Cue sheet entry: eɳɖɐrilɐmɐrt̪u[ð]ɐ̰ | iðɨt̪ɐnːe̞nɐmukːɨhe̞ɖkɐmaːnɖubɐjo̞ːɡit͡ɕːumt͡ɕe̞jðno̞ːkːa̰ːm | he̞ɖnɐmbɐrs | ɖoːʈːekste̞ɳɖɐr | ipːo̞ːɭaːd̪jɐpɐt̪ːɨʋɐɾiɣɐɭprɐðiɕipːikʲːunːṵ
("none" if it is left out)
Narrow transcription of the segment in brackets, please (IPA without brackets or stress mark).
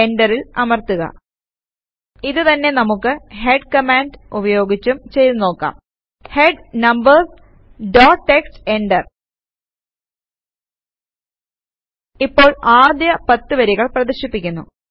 ɣ